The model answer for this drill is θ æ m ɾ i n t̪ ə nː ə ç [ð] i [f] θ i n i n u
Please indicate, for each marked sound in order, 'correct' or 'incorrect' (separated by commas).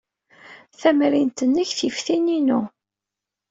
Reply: incorrect, correct